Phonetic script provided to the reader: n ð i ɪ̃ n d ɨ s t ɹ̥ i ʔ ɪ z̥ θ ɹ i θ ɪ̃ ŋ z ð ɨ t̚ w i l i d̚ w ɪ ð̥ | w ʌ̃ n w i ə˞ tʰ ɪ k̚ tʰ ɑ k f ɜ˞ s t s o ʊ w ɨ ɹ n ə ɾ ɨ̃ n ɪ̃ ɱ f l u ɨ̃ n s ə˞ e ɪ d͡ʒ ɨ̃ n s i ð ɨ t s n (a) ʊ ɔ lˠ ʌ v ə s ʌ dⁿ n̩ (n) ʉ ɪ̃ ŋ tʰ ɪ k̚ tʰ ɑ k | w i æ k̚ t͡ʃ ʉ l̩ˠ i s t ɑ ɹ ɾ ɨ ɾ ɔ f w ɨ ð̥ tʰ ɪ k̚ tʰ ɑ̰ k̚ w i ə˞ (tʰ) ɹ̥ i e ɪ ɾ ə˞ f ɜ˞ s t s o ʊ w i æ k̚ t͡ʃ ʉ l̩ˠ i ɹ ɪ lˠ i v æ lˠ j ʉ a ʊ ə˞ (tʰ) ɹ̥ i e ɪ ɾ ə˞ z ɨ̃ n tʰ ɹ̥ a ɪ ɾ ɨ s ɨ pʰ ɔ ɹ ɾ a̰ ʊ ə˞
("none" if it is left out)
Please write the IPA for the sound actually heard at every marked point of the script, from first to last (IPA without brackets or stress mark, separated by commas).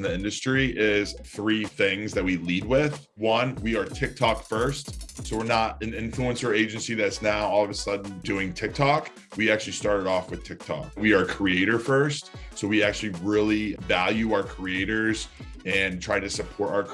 a, d, kʰ, kʰ